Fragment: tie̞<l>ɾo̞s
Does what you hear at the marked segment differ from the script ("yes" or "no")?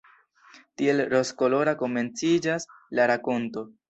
no